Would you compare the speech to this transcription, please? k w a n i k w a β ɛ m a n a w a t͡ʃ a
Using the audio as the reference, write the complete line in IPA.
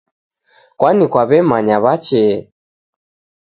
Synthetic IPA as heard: k w a n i k w a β ɛ m a ɲ a β a t͡ʃ ɛ